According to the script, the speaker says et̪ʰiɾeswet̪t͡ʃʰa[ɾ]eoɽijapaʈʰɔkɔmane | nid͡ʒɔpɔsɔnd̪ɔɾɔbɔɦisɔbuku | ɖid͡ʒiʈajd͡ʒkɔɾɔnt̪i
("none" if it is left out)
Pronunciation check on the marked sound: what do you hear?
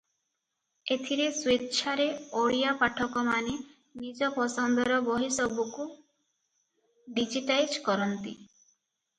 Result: ɾ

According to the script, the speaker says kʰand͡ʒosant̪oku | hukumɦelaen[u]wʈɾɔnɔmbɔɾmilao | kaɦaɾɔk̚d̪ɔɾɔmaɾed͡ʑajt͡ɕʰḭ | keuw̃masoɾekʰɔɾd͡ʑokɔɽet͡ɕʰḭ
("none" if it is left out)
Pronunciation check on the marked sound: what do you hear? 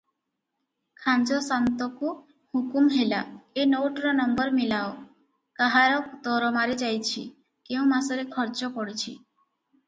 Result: o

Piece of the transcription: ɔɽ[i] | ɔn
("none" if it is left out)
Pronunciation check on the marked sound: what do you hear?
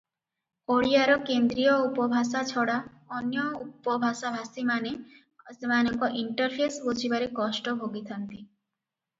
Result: a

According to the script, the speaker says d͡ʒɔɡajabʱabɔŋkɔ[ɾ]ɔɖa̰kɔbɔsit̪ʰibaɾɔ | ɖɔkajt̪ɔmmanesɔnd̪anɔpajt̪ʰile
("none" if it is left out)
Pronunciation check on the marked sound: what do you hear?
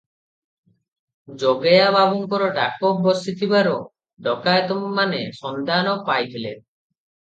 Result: ɾ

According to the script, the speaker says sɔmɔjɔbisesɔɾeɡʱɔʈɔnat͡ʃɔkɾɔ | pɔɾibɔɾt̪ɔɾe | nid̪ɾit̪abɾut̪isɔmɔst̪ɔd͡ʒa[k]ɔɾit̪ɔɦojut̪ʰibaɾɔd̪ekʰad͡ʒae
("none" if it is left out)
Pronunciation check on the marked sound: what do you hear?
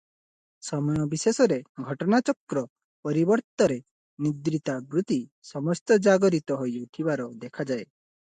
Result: ɡ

